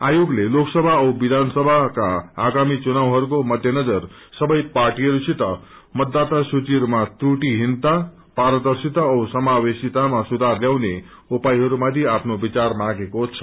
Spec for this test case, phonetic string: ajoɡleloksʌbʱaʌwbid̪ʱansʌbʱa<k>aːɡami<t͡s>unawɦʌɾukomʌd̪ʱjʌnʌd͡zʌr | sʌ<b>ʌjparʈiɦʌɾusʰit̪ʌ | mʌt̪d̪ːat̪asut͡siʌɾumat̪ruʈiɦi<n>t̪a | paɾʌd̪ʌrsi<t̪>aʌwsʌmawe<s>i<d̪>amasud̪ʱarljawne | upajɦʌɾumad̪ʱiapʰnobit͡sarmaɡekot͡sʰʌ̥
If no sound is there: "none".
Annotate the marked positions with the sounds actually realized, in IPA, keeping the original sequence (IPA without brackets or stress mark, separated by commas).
k, t͡s, b, n, t̪, s, t̪